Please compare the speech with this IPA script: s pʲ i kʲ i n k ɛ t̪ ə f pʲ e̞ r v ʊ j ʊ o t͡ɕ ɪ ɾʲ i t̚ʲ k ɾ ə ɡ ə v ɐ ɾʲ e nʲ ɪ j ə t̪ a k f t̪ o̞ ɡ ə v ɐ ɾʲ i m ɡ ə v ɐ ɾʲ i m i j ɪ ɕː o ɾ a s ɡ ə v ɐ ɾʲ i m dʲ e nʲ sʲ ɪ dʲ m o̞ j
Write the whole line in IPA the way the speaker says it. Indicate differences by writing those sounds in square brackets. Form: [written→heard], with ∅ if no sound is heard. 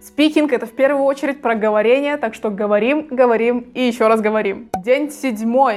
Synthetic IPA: s pʲ i kʲ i n k ɛ t̪ ə f pʲ e̞ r v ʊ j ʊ o t͡ɕ ɪ ɾʲ [i→ɪ] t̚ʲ [k→p] ɾ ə ɡ ə v ɐ ɾʲ e nʲ ɪ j ə t̪ a k [f→ʂ] t̪ o̞ ɡ ə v ɐ ɾʲ i m ɡ ə v ɐ ɾʲ i m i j ɪ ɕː o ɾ a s ɡ ə v ɐ ɾʲ i m dʲ e nʲ sʲ ɪ dʲ m o̞ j